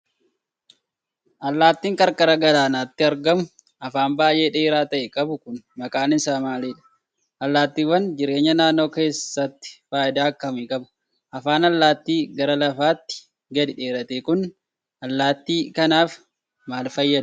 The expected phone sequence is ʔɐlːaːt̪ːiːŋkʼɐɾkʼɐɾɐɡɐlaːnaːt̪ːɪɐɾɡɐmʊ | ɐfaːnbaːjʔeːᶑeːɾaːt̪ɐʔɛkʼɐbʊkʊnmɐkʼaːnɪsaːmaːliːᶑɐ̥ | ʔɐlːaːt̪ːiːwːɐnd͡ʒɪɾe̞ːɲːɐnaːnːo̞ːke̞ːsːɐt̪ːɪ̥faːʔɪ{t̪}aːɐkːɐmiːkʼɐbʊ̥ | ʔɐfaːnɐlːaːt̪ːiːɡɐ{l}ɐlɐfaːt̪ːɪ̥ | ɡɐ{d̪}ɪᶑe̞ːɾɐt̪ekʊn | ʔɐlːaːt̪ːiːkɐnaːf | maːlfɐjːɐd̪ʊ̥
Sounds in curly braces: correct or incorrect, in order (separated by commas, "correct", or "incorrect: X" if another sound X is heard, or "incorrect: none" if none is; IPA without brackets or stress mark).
incorrect: d̪, incorrect: ɾ, correct